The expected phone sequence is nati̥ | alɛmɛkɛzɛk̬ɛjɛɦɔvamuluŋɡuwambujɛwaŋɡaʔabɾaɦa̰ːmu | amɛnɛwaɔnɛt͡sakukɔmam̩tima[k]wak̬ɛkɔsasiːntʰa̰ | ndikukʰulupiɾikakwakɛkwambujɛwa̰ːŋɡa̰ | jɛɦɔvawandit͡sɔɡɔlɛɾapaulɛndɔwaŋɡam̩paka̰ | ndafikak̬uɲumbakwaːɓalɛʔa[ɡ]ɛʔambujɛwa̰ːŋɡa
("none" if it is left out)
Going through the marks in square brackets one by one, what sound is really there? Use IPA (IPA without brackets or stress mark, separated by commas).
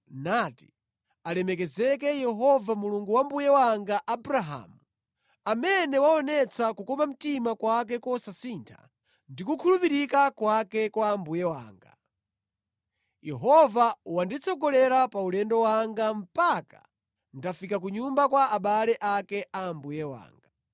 k, k